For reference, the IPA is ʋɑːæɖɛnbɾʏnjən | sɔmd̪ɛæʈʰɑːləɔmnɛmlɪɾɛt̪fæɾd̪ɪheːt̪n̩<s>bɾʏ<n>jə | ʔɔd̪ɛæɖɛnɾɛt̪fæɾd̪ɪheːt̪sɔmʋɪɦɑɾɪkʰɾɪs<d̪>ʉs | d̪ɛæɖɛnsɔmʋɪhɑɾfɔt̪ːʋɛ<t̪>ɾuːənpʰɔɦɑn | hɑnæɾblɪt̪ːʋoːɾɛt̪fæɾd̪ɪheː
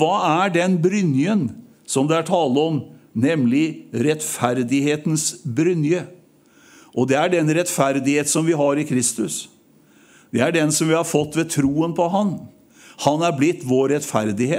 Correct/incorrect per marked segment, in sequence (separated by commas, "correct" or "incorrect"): correct, correct, incorrect, incorrect